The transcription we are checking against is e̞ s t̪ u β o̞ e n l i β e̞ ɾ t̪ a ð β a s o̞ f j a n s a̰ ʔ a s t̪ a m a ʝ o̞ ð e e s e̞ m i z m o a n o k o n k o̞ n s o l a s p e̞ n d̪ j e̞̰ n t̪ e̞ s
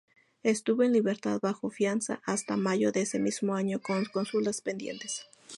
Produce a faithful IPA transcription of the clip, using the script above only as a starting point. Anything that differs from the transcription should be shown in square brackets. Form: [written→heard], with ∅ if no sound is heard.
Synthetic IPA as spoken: e̞ s t̪ u β o̞ e n l i β e̞ ɾ t̪ a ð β a [s→x] o̞ f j a n s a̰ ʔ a s t̪ a m a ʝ o̞ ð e e s e̞ m i z m o a [n→ɲ] o k o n k o̞ n s [o→u] l a s p e̞ n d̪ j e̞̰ n t̪ e̞ s